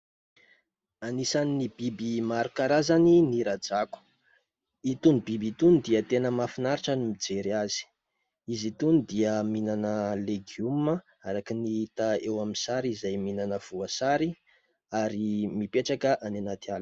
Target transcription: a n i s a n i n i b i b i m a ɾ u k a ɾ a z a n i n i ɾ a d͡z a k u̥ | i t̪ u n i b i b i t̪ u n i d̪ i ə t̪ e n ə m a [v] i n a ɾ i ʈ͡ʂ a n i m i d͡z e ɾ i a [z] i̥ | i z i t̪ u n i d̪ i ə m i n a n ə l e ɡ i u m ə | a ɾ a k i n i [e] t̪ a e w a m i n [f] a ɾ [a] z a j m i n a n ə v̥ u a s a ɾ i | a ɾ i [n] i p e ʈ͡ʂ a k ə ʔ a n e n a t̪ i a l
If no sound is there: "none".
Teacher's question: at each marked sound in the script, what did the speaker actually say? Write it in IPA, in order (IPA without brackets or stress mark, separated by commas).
f, z, i, s, i, m